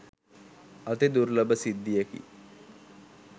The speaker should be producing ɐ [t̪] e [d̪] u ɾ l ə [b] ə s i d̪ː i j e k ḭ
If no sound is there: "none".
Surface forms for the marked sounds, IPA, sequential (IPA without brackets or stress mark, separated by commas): t̪, d̪, b